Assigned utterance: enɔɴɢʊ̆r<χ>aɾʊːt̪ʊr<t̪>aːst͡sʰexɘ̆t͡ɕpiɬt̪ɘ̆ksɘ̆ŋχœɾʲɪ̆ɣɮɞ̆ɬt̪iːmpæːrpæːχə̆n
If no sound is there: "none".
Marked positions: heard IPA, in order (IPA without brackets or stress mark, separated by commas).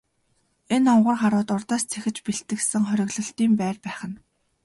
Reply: χ, t̪